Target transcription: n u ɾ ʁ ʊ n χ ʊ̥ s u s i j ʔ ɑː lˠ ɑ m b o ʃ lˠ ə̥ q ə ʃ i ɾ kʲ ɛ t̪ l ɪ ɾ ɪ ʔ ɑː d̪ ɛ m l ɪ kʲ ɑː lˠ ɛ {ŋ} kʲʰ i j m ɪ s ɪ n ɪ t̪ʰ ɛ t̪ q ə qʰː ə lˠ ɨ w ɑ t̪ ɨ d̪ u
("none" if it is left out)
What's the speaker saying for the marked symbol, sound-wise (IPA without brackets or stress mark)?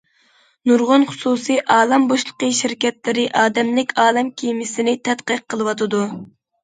m